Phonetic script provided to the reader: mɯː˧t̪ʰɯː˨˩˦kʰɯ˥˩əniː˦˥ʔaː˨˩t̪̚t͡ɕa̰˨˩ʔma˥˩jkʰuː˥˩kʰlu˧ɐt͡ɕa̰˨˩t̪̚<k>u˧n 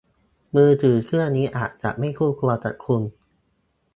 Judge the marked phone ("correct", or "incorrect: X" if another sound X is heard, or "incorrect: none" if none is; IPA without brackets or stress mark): incorrect: kʰ